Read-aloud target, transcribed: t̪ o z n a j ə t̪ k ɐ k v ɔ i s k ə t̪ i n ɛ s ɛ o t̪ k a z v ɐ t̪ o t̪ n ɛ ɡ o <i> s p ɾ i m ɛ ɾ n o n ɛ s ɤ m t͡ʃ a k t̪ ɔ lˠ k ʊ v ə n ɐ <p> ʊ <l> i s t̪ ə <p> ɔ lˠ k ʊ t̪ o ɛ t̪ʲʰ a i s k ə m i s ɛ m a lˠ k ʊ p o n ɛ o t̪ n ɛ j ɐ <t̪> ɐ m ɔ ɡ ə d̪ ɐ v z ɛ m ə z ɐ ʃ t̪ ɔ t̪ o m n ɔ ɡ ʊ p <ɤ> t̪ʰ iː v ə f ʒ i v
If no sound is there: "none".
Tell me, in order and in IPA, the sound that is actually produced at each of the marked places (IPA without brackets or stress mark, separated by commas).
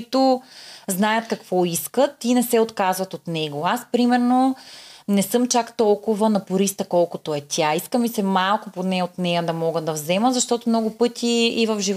a, p, ɾ, k, d̪, ɤ